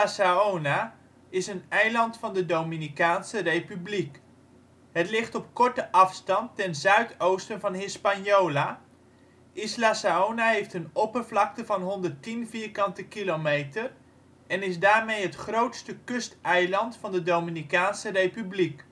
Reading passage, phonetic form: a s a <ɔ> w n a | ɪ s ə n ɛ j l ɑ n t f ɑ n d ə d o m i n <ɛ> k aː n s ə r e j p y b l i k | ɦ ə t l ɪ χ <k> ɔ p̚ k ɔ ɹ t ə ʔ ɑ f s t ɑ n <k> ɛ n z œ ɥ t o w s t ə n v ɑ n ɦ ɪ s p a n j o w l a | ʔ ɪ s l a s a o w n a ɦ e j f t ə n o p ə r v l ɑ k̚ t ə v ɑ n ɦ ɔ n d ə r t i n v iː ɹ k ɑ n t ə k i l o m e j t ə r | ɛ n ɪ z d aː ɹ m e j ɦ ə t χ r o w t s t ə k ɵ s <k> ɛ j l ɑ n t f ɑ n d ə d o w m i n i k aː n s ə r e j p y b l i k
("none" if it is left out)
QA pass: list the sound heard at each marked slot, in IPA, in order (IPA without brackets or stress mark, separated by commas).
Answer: o, i, t, t, t